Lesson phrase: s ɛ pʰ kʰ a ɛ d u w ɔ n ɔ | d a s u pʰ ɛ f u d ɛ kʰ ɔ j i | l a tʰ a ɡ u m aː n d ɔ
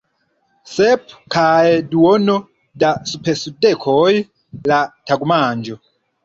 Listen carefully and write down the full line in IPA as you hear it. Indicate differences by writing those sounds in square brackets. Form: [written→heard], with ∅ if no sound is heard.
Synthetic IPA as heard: s ɛ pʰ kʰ a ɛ d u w ɔ n ɔ | d a s u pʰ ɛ [f→s] u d ɛ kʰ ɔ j i | l a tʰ a ɡ u m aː n [d→d͡ʒ] ɔ